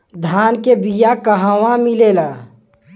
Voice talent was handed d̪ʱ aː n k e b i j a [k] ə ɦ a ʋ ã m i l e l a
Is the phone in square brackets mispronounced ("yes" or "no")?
no